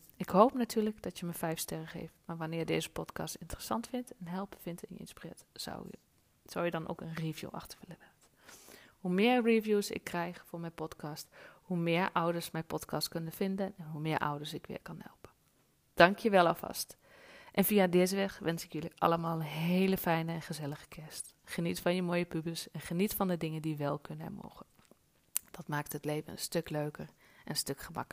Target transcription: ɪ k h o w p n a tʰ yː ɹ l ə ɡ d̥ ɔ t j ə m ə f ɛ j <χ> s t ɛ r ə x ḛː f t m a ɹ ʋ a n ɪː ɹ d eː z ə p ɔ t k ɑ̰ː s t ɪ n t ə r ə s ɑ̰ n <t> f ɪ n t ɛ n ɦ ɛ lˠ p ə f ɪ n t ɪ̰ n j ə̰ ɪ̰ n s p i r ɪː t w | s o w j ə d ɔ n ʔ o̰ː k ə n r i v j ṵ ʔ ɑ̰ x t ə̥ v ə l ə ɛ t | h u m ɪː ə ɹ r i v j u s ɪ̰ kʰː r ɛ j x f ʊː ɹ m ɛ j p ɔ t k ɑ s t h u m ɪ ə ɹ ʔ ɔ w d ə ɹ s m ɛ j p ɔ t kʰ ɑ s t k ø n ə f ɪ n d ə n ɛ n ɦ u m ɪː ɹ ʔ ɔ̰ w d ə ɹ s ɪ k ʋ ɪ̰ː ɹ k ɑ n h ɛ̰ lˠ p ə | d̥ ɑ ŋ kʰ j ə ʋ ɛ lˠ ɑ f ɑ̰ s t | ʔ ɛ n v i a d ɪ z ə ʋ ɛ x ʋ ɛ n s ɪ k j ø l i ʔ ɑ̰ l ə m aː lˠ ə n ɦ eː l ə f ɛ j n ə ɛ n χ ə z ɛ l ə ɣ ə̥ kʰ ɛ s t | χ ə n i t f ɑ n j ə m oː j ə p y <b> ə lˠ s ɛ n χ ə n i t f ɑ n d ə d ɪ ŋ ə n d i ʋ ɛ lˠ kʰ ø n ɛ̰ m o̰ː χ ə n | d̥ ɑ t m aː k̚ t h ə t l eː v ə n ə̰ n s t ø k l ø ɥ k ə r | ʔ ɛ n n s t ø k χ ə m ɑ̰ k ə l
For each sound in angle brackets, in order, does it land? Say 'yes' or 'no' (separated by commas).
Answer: no, yes, yes